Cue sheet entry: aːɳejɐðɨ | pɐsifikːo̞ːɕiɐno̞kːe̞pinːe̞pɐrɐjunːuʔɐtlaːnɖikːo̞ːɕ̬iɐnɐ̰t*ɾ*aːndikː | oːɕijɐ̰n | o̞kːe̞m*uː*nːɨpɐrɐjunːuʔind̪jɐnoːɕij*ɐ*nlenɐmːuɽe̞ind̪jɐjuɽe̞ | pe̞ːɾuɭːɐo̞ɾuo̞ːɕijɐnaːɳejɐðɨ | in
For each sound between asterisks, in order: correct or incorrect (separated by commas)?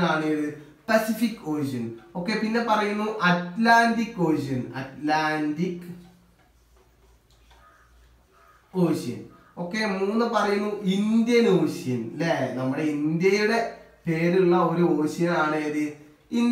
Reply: incorrect, correct, correct